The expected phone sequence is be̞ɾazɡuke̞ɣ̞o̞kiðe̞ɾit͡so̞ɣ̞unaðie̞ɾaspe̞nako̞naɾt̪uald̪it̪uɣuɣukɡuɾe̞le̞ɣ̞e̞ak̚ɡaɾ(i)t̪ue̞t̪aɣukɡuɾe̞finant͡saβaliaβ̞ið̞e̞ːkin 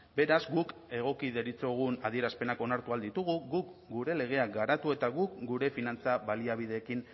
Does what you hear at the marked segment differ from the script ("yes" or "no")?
yes